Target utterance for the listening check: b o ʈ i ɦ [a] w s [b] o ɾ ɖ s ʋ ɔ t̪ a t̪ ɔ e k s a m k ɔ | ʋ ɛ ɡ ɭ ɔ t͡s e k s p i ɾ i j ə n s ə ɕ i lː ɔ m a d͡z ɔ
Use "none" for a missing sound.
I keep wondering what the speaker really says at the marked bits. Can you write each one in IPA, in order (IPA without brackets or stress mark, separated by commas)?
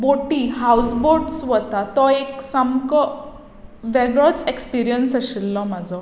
a, b